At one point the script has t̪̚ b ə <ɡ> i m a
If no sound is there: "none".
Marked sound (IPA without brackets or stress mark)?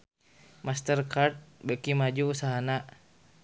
k